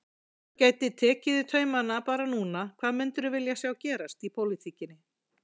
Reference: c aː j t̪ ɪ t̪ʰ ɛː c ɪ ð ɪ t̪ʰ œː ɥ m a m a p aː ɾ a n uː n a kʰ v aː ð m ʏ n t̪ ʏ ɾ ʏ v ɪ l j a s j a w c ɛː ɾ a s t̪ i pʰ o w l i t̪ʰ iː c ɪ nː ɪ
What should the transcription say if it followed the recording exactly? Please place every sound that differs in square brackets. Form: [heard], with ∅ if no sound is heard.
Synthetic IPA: c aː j t̪ ɪ t̪ʰ ɛː c ɪ ð ɪ t̪ʰ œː ɥ m a [n] a p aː ɾ a n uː n a kʰ v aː ð m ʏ n t̪ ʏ ɾ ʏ v ɪ l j a s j a w c ɛː ɾ a s t̪ i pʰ o w l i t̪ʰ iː c ɪ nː ɪ